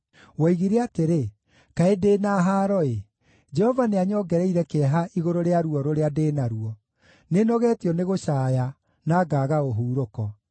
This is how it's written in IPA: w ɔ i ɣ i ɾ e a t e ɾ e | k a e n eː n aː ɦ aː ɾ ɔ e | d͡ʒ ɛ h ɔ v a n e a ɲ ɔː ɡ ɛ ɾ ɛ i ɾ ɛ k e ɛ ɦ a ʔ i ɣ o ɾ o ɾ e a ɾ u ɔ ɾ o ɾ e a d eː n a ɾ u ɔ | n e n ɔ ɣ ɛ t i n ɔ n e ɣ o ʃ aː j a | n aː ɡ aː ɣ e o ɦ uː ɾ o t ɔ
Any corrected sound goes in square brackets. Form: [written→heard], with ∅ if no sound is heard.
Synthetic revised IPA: w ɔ i ɣ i ɾ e a t e ɾ e | k a e [n→d] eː n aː ɦ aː ɾ ɔ e | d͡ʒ ɛ h ɔ v a n e a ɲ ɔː ɡ ɛ ɾ ɛ i ɾ ɛ k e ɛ ɦ a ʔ i ɣ o ɾ o ɾ e a ɾ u ɔ ɾ o ɾ e a d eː n a ɾ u ɔ | n e n ɔ ɣ ɛ t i [n→∅] ɔ n e ɣ o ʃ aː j a | n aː ɡ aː ɣ [e→a] o ɦ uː ɾ o [t→k] ɔ